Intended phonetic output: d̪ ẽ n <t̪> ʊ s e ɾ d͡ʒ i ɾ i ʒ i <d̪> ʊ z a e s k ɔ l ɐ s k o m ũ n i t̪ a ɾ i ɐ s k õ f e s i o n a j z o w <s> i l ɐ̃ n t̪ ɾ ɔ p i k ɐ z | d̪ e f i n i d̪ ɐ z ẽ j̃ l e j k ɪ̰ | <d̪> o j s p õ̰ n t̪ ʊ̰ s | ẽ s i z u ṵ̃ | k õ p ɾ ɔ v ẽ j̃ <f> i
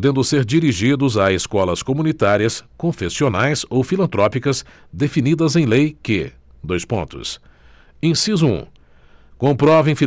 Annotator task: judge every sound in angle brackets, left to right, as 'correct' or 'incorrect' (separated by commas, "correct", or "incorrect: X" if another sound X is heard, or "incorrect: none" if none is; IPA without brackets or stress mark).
incorrect: d̪, correct, incorrect: f, correct, correct